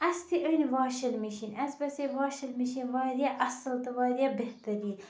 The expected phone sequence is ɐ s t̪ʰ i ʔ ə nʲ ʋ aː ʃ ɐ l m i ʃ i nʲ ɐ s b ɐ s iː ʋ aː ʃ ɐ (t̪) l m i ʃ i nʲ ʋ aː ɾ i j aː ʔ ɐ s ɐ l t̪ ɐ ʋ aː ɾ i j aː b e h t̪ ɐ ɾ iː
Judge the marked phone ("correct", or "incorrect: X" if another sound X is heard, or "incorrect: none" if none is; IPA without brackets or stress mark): incorrect: none